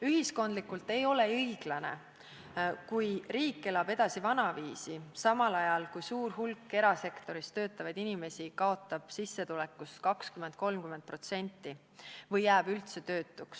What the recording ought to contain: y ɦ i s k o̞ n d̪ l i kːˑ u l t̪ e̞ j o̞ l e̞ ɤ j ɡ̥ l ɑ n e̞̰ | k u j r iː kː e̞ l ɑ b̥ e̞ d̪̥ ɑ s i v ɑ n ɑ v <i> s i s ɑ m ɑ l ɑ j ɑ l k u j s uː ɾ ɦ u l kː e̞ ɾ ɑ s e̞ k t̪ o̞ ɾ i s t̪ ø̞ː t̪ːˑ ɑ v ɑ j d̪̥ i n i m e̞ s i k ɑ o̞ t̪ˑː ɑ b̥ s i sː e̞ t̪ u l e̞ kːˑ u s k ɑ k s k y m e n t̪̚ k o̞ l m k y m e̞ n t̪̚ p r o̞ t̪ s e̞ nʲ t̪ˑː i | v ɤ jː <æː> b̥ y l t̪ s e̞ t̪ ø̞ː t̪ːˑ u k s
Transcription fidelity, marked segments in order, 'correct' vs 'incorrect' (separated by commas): incorrect, correct